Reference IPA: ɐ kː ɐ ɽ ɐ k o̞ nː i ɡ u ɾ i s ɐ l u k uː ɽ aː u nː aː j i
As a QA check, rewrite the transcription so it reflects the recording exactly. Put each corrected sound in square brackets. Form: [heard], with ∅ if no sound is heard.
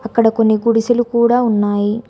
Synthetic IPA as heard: ɐ kː ɐ ɽ ɐ k o̞ nː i ɡ u [ɽ] i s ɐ l u k uː ɽ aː u nː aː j i